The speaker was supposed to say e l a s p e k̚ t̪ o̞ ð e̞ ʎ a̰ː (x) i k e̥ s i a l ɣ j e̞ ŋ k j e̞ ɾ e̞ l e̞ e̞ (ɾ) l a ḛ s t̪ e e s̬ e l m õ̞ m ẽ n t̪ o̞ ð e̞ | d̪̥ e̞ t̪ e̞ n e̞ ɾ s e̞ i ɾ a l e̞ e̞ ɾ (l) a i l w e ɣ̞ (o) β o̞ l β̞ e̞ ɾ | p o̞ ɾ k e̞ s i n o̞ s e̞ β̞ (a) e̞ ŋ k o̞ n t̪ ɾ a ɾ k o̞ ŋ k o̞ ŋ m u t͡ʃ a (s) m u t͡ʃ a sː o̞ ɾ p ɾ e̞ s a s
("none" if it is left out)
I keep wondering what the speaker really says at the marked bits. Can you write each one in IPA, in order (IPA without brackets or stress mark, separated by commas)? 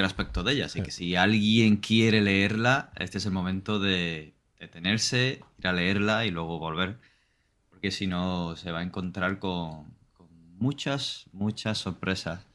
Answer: s, ɾ, l, o, a, s